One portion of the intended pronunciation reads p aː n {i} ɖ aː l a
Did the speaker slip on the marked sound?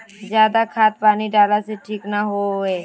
no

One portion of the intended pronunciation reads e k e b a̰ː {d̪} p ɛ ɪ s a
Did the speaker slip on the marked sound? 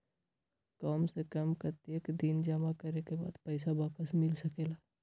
no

